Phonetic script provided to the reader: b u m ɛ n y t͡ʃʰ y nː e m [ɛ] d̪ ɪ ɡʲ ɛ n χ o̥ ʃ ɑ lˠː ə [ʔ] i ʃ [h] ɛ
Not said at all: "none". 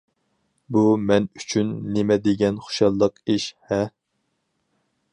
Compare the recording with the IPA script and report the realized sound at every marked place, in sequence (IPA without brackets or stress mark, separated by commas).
ɛ, q, h